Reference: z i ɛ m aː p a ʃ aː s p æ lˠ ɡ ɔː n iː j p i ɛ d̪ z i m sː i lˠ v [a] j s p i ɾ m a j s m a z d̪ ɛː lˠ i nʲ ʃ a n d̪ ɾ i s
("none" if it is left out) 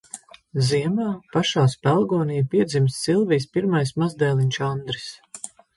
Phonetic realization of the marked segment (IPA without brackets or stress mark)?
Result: i